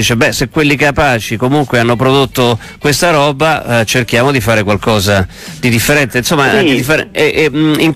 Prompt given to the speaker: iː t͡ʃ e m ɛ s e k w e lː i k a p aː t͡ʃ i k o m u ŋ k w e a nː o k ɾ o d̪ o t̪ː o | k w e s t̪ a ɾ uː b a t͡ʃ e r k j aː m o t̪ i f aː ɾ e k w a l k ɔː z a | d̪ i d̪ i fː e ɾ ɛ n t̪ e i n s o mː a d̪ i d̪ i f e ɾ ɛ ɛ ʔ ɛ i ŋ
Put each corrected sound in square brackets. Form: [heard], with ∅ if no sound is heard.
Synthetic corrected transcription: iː t͡ʃ e [b] ɛ s e k w e lː i k a p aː t͡ʃ i k o m u ŋ k w e a nː o [p] ɾ o d̪ o t̪ː o | k w e s t̪ a ɾ [ɔː] b a t͡ʃ e r k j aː m o [d̪] i f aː ɾ e k w a l k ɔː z a | d̪ i d̪ i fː e ɾ ɛ n t̪ e i n s o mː a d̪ i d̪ i f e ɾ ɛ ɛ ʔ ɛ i ŋ